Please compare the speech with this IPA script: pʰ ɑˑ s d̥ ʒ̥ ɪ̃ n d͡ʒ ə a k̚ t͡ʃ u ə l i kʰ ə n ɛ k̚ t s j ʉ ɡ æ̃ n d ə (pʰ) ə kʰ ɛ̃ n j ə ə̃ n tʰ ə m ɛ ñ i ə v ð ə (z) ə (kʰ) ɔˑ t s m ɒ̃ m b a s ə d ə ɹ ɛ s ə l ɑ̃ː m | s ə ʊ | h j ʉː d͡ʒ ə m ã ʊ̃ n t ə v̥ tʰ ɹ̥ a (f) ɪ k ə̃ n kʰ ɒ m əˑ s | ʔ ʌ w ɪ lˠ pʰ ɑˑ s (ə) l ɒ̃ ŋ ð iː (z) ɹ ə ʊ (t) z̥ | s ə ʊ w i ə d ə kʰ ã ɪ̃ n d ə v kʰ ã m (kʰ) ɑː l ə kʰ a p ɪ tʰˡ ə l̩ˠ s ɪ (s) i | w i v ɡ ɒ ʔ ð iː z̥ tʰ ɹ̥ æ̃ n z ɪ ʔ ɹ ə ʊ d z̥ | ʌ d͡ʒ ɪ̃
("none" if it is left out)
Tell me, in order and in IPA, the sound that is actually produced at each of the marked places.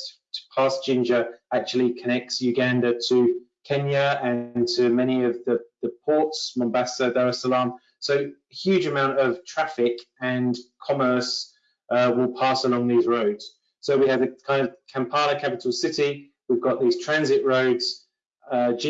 tʰ, ð, pʰ, f, ə, z, d, pʰ, t

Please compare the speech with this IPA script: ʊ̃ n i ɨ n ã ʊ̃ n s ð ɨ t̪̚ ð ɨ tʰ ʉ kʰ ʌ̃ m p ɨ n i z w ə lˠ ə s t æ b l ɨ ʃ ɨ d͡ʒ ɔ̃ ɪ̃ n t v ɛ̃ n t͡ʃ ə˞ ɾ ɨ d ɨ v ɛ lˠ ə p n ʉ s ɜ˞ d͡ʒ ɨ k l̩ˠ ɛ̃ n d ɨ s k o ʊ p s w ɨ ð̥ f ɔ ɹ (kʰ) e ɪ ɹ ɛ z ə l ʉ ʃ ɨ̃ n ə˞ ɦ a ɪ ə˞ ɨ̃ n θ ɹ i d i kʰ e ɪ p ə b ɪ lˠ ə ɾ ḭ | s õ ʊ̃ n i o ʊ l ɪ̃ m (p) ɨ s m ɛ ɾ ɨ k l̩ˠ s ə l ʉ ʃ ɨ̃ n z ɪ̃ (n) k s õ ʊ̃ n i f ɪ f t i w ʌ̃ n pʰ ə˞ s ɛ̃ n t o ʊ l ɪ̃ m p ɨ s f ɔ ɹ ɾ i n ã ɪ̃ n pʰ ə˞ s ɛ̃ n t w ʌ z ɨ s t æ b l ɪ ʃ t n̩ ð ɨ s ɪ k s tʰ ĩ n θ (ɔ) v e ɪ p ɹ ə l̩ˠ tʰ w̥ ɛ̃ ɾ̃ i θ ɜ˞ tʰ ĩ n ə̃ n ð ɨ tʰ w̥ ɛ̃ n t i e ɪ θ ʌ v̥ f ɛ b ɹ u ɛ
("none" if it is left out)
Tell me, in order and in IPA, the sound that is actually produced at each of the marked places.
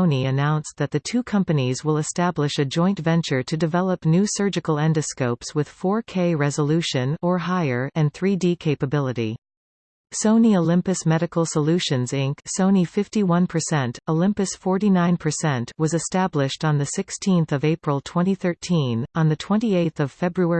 kʰ, p, ŋ, ʌ

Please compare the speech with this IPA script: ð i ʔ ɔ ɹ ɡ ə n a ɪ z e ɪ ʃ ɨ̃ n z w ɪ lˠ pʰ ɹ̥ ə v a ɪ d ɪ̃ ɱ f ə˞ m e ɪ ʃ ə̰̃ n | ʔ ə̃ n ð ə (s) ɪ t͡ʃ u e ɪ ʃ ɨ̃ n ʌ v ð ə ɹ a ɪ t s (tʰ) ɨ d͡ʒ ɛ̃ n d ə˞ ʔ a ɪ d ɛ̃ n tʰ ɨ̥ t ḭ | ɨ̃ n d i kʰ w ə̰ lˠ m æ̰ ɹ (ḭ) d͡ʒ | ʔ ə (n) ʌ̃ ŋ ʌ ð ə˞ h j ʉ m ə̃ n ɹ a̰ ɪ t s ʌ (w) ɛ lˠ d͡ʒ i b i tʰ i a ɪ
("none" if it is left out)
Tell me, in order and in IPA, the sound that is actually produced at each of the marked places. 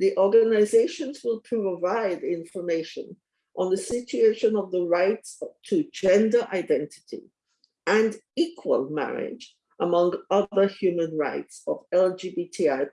s, tʰ, ɪ̰, m, v

